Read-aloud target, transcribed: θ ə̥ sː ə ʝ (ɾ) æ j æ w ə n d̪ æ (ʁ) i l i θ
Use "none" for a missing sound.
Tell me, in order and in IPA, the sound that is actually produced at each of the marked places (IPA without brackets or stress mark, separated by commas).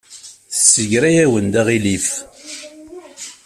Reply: ɾ, ʁ